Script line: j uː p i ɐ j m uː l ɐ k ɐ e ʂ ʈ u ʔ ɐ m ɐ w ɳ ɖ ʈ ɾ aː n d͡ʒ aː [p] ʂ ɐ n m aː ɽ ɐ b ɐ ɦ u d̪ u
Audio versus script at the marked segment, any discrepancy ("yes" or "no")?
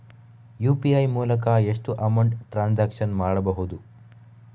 yes